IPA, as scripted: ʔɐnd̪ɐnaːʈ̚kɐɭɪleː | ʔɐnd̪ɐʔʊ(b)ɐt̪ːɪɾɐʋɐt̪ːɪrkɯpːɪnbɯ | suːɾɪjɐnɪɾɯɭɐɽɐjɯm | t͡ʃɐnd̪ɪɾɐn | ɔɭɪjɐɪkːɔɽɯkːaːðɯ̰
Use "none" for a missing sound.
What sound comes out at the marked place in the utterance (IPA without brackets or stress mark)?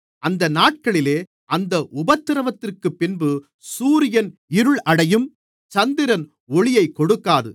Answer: b